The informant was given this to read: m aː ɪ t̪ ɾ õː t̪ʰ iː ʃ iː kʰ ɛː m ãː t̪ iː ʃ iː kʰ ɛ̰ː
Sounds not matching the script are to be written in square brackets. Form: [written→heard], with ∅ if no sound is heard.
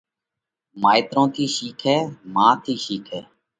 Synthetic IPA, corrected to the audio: m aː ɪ t̪ ɾ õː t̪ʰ iː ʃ iː kʰ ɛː m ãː [t̪→t̪ʰ] iː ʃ iː kʰ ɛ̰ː